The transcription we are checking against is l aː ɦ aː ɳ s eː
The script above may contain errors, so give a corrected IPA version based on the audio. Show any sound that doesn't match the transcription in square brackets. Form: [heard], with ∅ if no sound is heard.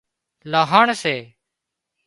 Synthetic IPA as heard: l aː ɦ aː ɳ s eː